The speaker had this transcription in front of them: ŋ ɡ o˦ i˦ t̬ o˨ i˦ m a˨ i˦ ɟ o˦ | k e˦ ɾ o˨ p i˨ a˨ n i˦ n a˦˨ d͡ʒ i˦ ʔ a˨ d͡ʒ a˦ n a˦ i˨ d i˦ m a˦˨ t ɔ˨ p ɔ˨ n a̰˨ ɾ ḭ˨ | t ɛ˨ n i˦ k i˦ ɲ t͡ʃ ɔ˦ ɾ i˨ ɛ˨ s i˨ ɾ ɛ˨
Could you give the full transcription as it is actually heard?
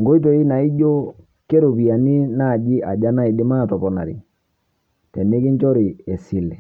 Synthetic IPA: ŋ ɡ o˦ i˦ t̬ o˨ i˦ n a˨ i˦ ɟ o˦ | k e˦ ɾ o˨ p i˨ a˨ n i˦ n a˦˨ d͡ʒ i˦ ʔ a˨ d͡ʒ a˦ n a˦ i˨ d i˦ m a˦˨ t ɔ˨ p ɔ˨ n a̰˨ ɾ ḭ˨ | t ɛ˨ n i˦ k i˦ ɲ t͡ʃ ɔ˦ ɾ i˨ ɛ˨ s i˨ l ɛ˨